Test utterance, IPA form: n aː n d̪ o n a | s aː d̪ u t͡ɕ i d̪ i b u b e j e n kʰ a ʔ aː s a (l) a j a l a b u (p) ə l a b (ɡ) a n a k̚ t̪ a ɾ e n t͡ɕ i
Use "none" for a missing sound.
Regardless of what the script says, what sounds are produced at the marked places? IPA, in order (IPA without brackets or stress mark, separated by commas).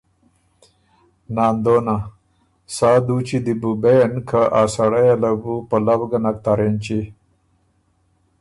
ɽ, p, ɡ